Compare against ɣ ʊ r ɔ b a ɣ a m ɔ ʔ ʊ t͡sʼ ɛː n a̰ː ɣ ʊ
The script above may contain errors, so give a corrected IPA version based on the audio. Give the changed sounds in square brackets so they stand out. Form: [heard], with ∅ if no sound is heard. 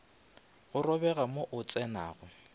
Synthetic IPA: ɣ ʊ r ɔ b [ɛ] ɣ a m [o] ʔ ʊ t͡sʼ [ɛ] n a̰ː ɣ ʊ